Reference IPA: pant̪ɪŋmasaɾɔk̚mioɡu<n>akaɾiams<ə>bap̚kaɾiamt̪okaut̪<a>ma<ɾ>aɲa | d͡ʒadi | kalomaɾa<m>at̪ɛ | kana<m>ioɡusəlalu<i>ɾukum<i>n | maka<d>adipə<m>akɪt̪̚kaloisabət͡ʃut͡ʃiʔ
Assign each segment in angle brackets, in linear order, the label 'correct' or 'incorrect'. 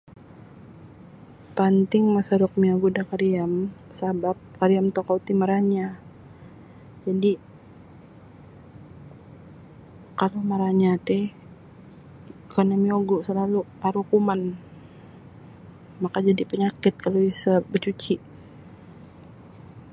incorrect, incorrect, incorrect, correct, incorrect, correct, incorrect, incorrect, incorrect, incorrect

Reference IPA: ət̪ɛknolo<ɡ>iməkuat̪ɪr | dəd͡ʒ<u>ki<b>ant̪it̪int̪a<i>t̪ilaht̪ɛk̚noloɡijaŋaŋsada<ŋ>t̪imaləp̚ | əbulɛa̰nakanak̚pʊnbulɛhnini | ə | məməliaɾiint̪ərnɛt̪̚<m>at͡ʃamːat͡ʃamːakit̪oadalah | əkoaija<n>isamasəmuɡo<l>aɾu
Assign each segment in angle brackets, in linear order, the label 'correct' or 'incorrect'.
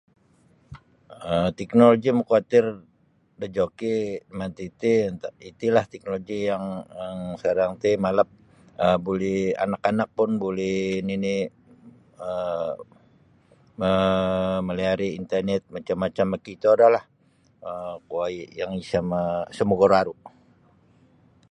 correct, incorrect, incorrect, correct, correct, correct, incorrect, incorrect

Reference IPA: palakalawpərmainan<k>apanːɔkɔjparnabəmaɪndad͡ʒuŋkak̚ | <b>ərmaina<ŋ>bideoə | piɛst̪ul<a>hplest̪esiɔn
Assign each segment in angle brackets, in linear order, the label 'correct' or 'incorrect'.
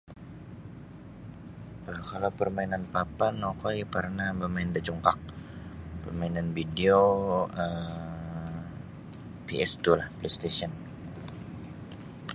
incorrect, incorrect, incorrect, correct

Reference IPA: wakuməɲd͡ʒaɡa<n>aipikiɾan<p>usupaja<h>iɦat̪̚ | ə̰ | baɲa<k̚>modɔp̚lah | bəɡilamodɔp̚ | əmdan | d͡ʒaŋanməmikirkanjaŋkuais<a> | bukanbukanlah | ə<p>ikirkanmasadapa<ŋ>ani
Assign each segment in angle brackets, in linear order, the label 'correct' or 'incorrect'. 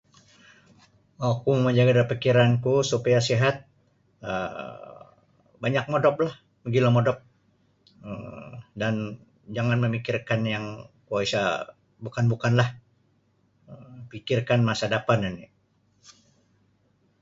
incorrect, incorrect, incorrect, correct, correct, correct, incorrect

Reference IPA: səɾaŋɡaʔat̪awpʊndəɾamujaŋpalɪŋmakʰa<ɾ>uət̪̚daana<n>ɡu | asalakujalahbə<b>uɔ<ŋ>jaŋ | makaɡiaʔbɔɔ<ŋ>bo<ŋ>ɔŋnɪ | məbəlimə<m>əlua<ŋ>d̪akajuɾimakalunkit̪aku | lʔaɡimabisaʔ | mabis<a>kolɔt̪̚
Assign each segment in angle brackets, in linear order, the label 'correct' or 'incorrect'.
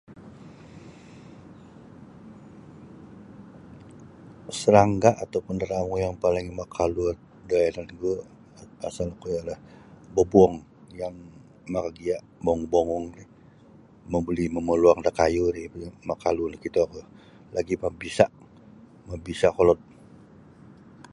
incorrect, correct, correct, correct, correct, correct, correct, correct, correct

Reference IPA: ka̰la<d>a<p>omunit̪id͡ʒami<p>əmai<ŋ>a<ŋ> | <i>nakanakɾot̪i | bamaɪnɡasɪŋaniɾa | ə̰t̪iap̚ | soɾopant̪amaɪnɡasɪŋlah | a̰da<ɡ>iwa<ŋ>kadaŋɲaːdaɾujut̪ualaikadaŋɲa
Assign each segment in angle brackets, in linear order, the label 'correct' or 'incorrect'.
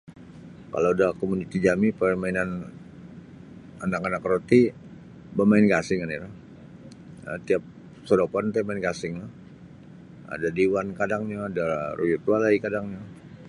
correct, incorrect, correct, incorrect, incorrect, incorrect, incorrect, incorrect

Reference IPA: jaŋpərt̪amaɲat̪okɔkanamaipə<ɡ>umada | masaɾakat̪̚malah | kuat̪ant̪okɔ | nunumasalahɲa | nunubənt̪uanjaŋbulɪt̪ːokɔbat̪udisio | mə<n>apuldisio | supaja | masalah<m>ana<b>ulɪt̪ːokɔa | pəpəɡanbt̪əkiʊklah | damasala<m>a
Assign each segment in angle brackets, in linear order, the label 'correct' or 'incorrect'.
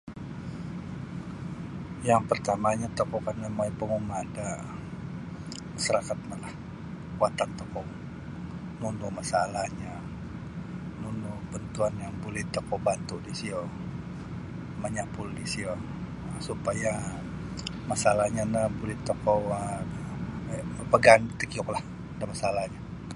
incorrect, incorrect, incorrect, correct, incorrect

